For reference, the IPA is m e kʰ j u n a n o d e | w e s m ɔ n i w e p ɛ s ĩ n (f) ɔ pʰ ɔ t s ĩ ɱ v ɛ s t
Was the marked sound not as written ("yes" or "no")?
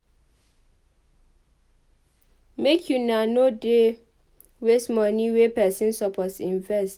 yes